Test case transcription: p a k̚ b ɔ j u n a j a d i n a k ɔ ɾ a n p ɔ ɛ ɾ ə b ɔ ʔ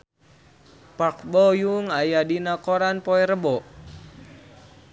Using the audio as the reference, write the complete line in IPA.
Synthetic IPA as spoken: p a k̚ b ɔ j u ŋ a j a d i n a k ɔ ɾ a n p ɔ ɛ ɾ ə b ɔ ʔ